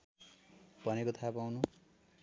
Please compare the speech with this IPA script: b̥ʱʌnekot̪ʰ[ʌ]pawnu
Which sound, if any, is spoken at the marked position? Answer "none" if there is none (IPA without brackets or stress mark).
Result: a